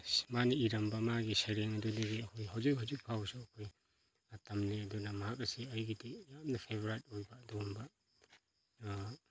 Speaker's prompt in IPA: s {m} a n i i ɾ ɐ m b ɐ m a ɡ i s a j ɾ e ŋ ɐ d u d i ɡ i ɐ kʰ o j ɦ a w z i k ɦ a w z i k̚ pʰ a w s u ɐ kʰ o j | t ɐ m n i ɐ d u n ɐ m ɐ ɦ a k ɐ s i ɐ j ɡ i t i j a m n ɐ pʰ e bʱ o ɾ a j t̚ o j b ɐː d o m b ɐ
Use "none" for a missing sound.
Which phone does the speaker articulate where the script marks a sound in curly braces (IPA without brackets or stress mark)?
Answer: m